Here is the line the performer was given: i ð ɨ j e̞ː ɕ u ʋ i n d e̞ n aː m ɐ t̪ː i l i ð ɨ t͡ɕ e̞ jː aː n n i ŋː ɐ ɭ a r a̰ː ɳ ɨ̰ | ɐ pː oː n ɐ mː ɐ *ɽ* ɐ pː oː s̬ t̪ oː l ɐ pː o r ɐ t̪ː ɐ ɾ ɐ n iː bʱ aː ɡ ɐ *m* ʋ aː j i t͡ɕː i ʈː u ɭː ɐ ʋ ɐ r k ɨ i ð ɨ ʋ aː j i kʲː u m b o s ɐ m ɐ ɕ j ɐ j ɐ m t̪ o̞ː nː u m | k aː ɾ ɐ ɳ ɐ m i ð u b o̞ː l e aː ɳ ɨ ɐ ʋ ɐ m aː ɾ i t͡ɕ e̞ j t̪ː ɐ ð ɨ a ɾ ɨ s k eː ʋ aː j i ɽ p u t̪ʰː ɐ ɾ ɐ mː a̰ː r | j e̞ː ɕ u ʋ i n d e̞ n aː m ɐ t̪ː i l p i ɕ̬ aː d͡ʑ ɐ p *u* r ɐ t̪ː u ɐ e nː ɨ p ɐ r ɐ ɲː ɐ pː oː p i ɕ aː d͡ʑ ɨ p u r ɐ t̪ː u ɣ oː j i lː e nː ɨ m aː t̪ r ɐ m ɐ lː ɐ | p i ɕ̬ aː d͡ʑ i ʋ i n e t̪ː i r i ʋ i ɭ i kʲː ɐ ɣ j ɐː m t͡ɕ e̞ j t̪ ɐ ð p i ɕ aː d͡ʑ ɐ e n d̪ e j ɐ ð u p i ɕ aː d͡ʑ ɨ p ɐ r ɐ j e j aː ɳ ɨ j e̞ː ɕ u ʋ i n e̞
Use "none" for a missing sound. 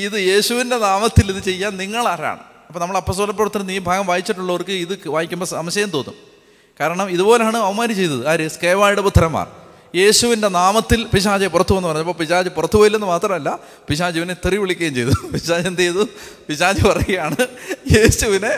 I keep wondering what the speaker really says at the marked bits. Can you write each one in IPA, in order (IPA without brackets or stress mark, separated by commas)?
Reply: ɭ, m, u